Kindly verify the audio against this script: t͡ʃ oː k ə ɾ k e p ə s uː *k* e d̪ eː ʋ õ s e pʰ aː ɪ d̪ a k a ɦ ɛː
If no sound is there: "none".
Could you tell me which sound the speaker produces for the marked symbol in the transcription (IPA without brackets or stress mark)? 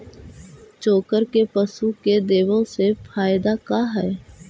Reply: k